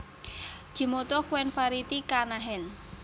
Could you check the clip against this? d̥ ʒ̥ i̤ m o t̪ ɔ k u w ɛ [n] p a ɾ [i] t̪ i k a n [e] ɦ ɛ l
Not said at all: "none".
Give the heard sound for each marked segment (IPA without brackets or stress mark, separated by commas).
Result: n, i, a